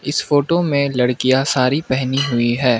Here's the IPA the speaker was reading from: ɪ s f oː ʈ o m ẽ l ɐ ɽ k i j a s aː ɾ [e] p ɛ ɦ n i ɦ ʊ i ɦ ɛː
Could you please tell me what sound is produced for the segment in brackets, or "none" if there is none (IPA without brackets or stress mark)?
i